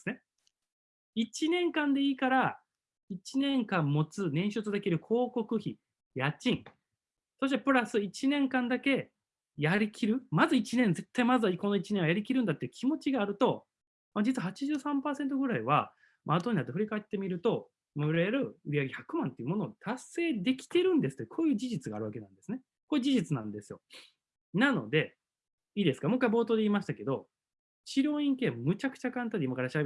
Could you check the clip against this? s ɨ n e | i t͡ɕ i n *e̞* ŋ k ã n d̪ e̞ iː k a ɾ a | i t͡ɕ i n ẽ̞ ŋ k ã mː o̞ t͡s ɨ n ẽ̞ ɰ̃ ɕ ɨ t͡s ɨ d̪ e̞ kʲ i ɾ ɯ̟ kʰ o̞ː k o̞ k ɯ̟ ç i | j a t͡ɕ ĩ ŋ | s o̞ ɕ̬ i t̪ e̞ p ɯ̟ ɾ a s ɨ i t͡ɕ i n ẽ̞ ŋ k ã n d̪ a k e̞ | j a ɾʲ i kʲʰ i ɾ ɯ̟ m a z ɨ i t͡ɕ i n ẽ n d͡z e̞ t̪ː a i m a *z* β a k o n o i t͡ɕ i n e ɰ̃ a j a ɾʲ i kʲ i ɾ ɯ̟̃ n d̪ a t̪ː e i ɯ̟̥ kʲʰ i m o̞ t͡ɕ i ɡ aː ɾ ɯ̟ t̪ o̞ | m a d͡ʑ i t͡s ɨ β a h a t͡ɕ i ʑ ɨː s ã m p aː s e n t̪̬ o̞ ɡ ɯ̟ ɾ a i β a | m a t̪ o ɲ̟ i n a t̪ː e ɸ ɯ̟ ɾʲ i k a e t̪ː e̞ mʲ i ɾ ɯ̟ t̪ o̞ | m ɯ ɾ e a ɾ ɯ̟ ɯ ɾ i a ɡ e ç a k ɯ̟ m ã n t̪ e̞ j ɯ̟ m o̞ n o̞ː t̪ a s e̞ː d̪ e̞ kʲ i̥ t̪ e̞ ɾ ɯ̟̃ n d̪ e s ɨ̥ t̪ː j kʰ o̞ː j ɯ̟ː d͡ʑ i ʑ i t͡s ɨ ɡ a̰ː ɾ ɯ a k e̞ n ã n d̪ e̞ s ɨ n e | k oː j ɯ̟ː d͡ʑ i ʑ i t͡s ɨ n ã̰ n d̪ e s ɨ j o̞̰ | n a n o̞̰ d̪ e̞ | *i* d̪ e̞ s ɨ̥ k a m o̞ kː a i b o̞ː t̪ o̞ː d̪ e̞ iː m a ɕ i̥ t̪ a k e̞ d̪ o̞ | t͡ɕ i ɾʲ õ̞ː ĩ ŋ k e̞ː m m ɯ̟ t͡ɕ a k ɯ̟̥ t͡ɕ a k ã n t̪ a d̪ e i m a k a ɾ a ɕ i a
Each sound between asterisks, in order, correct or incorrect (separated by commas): incorrect, correct, incorrect